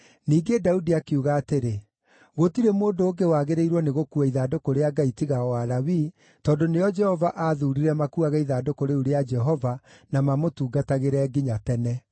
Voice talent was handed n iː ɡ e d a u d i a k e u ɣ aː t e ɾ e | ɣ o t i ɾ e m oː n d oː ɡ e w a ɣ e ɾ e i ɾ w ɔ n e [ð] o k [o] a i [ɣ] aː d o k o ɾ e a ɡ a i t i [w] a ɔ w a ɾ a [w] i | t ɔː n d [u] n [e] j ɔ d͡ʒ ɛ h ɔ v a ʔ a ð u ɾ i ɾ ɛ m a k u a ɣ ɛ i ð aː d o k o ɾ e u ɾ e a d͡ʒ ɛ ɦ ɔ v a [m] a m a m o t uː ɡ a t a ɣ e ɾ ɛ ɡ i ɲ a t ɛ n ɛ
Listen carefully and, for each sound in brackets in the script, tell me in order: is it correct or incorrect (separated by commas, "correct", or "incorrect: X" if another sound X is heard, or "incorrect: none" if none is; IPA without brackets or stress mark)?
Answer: incorrect: ɣ, incorrect: u, incorrect: ð, incorrect: ɣ, correct, incorrect: o, correct, incorrect: n